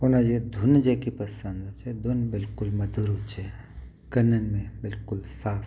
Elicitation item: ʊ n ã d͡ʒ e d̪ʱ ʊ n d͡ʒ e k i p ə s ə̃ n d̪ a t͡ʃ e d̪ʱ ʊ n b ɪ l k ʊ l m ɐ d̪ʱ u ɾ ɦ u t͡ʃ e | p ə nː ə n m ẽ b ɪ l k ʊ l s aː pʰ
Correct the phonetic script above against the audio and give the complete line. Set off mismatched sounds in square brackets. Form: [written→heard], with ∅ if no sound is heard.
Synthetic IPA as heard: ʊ n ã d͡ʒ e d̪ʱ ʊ n d͡ʒ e k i p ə s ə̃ n d̪ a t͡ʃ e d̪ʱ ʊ n b ɪ l k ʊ l m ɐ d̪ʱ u ɾ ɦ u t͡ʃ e | [p→k] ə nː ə n m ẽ b ɪ l k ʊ l s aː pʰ